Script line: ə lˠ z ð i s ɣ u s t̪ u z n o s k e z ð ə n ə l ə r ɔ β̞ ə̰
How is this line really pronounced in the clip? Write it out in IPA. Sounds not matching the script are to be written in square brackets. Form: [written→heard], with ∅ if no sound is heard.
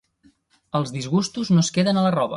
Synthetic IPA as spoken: ə lˠ z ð i [s→z] ɣ u s t̪ u z n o s k e [z→∅] ð ə n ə l ə r ɔ β̞ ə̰